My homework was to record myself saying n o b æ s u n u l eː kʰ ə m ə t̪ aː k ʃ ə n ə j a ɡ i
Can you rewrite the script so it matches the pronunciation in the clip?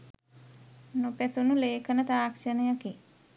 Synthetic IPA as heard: n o p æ s u n u l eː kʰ ə n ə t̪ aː k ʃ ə n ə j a k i

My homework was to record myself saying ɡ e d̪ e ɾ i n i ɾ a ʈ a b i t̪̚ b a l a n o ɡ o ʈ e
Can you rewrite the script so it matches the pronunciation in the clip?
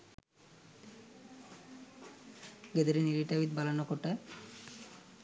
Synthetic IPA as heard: ɡ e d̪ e ɾ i n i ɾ i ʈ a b i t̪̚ b a l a n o k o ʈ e

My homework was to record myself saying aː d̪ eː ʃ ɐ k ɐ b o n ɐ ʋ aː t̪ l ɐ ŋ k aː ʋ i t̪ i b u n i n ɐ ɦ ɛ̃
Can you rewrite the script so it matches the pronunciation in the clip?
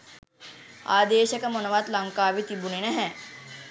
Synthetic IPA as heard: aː d̪ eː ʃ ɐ k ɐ m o n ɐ ʋ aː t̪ l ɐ ŋ k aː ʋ i t̪ i b u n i n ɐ ɦ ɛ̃

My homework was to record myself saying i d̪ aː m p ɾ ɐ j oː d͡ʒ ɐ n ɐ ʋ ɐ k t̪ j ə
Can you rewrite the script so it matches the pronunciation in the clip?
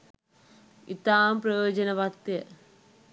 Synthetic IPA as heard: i t̪ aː m p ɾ ɐ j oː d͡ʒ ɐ n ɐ ʋ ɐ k t̪ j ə

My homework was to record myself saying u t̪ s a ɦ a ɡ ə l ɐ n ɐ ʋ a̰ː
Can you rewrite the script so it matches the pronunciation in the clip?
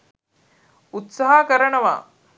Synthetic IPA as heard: u t̪ s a ɦ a k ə ɾ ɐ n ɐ ʋ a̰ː

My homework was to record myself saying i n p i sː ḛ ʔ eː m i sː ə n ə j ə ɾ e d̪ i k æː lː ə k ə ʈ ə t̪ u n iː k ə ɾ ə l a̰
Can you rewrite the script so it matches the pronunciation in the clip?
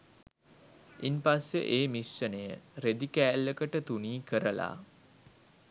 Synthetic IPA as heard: i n p a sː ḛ ʔ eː m i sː ə n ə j ə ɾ e d̪ i k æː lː ə k ə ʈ ə t̪ u n iː k ə ɾ ə l a̰

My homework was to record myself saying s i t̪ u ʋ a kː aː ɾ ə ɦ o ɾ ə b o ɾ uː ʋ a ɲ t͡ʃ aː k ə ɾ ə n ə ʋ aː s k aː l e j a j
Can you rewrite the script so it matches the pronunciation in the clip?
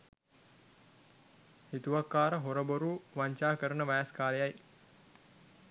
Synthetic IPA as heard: h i t̪ u ʋ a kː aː ɾ ə ɦ o ɾ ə b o ɾ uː ʋ a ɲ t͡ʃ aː k ə ɾ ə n ə ʋ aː s k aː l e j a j

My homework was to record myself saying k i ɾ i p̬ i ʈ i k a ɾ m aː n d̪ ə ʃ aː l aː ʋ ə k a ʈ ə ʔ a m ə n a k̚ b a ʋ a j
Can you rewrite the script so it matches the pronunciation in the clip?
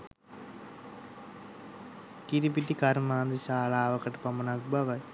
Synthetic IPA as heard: k i ɾ i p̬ i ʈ i k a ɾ m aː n d̪ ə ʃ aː l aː ʋ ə k ə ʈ ə p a m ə n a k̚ b a ʋ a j

